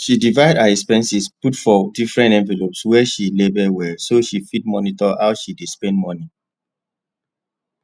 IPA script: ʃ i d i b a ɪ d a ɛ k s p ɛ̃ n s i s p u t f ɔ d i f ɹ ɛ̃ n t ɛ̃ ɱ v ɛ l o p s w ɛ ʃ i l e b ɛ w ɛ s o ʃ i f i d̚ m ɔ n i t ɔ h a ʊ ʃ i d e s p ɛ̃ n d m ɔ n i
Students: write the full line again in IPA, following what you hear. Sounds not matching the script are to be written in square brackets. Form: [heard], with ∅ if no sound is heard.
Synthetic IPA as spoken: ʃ i d i [v] a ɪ d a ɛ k s p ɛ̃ n s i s p u t f ɔ d i f ɹ ɛ̃ n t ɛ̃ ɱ v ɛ l o p s w ɛ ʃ i l e b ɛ w ɛ s o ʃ i f i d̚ m ɔ n i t ɔ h a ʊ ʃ i d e s p ɛ̃ n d m ɔ n i